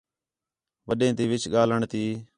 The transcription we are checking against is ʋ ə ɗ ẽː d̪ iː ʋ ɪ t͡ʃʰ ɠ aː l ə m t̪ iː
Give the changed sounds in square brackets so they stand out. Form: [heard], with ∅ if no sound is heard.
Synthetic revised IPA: ʋ ə ɗ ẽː [t̪] iː ʋ ɪ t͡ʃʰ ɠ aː l ə [ɳ] t̪ iː